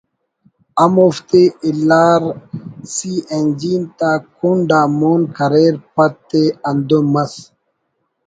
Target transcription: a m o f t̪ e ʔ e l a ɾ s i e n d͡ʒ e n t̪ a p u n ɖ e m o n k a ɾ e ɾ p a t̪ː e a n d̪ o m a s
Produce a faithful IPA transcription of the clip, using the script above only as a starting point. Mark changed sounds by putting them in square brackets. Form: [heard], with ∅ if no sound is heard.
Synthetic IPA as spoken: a m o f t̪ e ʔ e l a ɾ s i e n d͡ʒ [i] n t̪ a [k] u n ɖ [a] m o n k a ɾ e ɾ p a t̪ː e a n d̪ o m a s